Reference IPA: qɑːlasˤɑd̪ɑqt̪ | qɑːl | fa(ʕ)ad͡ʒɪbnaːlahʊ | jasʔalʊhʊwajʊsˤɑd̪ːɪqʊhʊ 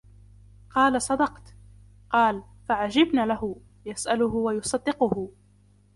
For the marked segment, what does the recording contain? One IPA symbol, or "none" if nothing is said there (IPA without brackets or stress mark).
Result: ʕ